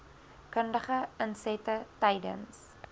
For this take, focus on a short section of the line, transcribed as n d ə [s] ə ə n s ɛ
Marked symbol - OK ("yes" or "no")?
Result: no